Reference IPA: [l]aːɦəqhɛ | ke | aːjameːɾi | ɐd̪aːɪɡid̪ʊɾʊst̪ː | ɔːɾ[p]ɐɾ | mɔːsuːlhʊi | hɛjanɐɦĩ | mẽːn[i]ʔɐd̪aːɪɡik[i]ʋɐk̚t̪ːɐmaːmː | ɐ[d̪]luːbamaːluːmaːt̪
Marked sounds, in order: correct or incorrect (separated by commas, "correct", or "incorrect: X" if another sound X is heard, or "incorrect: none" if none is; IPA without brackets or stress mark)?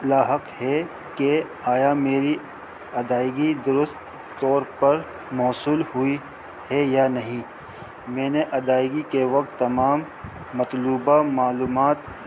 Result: correct, correct, incorrect: e, incorrect: e, incorrect: t̪